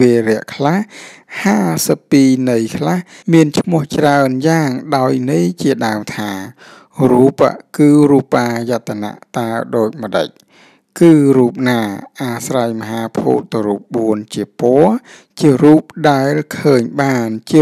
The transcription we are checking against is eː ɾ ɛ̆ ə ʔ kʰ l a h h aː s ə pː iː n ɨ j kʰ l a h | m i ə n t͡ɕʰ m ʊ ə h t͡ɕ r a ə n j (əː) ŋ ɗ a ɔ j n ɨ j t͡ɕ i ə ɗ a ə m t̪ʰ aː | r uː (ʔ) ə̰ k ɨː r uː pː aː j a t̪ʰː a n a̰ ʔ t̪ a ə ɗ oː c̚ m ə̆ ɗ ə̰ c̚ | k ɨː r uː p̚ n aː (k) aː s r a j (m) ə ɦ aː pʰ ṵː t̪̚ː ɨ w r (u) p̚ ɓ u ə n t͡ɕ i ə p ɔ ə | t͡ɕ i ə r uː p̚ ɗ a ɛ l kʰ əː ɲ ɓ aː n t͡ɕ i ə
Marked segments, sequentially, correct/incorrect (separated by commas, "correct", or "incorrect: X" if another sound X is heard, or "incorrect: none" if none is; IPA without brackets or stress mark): incorrect: aː, incorrect: p, incorrect: ʔ, correct, incorrect: uː